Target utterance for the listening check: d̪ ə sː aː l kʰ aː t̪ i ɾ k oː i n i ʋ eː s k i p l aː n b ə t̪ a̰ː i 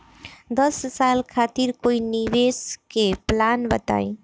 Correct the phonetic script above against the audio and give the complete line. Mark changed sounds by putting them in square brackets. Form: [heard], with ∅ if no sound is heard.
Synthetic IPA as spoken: d̪ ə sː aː l kʰ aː t̪ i ɾ k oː i n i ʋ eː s k [e] p l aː n b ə t̪ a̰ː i